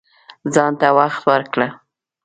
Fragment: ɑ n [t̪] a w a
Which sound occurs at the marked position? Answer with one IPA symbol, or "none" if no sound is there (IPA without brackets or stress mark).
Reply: t̪